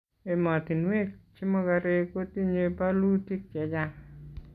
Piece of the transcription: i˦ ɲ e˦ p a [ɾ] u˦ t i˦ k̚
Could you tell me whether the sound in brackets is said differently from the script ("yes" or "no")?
yes